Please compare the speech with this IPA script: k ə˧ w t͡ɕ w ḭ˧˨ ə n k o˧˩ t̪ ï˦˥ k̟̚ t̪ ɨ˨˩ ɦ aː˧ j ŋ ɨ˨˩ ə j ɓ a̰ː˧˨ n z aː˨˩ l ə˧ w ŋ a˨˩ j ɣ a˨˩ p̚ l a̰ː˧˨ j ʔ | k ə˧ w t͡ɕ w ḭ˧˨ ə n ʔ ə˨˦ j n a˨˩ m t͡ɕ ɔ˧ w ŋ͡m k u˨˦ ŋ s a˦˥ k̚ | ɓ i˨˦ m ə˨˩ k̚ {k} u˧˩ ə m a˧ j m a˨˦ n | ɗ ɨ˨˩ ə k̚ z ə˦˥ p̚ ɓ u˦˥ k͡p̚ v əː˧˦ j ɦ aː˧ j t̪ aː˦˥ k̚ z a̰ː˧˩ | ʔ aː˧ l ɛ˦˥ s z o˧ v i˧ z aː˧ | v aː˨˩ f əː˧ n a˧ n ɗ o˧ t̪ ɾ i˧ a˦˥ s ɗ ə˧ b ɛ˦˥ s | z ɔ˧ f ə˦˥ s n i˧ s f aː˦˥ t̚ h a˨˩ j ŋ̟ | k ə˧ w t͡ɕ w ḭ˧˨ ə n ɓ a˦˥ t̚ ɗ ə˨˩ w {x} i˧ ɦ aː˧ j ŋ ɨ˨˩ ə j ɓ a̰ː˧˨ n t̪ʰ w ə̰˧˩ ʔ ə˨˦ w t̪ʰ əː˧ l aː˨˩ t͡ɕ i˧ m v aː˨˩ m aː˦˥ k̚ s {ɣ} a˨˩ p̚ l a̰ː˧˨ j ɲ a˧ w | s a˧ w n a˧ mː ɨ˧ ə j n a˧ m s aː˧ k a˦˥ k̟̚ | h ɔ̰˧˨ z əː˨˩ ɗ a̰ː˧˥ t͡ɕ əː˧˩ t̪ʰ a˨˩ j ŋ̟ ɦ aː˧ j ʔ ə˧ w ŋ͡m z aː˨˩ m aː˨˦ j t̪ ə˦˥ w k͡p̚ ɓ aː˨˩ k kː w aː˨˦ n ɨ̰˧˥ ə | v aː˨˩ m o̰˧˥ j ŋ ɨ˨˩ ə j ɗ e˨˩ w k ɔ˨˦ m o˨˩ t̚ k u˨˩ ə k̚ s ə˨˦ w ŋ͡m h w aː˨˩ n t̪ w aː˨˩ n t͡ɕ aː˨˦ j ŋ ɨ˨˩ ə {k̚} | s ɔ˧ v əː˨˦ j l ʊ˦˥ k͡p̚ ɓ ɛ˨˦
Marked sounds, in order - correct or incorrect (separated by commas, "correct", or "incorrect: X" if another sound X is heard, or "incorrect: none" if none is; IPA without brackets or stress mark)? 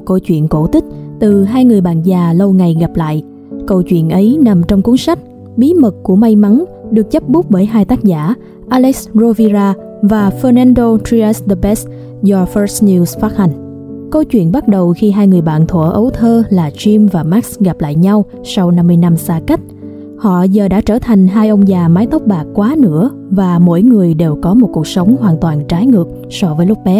correct, correct, correct, correct